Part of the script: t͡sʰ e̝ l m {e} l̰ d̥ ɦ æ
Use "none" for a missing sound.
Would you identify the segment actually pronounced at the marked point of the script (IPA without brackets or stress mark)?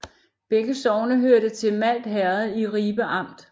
æ